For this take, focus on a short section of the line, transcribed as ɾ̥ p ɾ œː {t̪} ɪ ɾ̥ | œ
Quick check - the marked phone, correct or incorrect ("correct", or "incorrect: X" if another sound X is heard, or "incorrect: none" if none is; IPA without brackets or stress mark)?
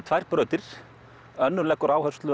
correct